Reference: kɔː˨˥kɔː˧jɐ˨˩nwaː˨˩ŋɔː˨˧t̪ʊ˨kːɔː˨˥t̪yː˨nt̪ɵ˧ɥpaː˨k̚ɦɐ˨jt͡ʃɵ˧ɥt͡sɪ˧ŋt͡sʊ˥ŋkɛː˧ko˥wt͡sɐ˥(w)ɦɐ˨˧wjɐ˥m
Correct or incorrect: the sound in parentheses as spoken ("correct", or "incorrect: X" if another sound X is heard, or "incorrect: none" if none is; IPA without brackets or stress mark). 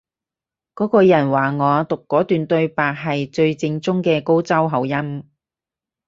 correct